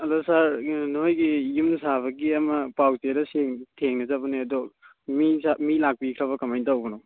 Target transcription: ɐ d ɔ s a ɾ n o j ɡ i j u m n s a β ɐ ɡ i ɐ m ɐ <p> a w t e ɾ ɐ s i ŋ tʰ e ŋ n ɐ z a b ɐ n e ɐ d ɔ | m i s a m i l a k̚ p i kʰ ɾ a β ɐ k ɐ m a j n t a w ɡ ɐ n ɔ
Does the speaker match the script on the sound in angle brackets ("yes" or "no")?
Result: yes